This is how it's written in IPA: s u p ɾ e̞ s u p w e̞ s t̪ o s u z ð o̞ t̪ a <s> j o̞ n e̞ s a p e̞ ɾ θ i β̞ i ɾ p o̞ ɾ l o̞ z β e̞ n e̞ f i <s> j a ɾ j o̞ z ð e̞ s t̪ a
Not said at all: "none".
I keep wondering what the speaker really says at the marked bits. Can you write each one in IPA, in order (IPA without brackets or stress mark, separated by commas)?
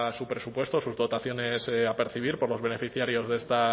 θ, θ